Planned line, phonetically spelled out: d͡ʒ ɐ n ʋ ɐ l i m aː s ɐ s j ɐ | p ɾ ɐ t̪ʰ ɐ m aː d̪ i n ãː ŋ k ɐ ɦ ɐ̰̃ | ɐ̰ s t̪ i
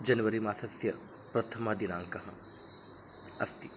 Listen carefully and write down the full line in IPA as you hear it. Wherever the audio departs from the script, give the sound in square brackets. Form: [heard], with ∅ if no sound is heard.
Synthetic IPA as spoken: d͡ʒ ɐ n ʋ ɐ [ɾ] i m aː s ɐ s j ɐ | p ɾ ɐ t̪ʰ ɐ m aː d̪ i n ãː ŋ k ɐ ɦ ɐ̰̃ | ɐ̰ s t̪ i